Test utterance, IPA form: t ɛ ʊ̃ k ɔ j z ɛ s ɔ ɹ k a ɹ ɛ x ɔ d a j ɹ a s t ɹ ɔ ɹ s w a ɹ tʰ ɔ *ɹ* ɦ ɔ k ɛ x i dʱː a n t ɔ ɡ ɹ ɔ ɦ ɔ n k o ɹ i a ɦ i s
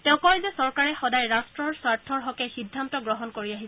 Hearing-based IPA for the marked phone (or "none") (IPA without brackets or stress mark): ɹ